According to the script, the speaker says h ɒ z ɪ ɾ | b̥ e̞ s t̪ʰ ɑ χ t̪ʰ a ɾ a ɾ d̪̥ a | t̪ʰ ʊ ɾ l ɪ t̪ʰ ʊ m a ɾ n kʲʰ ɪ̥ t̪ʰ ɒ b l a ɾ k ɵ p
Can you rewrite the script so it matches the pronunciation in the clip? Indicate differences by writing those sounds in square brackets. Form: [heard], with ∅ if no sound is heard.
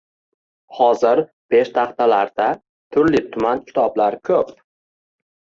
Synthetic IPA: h ɒ z ɪ ɾ | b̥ e̞ [ʃ] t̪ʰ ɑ χ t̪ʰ a [l] a ɾ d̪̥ a | t̪ʰ ʊ ɾ l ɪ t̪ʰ ʊ m a [∅] n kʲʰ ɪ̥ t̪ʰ ɒ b l a ɾ [kʰ] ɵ p